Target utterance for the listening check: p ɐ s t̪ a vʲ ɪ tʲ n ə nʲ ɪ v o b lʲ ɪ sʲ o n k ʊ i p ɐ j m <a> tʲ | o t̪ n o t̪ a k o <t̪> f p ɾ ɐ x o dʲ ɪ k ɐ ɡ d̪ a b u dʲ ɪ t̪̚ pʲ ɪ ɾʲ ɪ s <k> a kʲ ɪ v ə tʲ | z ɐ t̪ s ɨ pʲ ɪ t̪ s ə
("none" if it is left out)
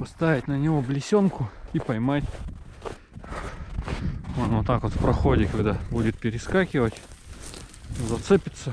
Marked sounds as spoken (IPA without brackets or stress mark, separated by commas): a, t̪, k